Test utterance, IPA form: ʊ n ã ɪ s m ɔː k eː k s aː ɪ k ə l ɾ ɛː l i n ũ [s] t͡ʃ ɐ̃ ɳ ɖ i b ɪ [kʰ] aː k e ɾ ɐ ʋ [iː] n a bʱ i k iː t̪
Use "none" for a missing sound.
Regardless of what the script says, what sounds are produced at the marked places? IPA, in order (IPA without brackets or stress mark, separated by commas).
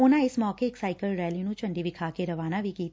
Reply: none, kʰ, aː